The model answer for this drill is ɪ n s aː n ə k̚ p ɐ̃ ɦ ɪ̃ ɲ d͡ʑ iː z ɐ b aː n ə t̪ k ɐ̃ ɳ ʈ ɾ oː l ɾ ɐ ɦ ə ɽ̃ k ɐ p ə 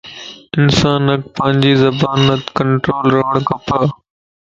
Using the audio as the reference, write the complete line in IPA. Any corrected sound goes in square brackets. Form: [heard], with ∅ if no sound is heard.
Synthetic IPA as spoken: ɪ n s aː n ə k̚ p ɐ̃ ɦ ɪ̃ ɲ d͡ʑ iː z ɐ b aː n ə t̪ k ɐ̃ ɳ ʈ ɾ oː l ɾ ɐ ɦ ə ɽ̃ k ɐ p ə